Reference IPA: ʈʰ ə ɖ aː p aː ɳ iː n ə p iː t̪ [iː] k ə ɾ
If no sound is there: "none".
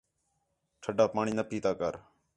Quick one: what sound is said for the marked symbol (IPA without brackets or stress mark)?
aː